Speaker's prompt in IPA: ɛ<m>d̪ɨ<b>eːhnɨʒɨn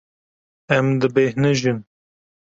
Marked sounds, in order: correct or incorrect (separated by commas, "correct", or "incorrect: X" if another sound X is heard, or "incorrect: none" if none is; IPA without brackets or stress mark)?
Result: correct, correct